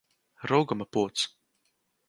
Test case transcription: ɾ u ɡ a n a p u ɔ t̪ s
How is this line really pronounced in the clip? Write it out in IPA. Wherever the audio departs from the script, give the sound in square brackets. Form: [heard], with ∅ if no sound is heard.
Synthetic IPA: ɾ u ɡ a [m] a p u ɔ t̪ s